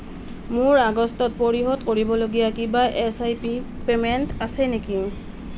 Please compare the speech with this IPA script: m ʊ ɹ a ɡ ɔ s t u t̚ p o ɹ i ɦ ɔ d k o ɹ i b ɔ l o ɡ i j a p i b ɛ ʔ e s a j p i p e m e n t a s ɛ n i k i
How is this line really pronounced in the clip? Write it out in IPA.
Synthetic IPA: m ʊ ɹ a ɡ ɔ s t ɔ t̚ p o ɹ i ɦ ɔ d k o ɹ i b ɔ l o ɡ i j a k i b a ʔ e s a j p i p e m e n t a s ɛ n e k i